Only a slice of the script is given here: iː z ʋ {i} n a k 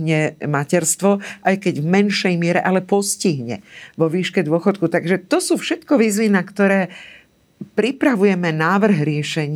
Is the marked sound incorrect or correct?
correct